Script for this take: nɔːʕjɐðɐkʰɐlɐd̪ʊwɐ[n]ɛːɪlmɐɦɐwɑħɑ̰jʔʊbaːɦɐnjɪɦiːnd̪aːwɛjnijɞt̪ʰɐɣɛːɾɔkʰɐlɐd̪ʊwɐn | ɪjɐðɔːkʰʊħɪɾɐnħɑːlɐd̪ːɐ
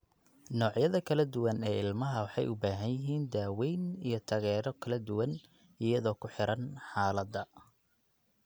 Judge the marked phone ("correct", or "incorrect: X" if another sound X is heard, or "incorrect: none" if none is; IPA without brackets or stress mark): correct